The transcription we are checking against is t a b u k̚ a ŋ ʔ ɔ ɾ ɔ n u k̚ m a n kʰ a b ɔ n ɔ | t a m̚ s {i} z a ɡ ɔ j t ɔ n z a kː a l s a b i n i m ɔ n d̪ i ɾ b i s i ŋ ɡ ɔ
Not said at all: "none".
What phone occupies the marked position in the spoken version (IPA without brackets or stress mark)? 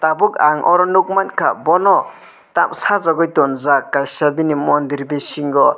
a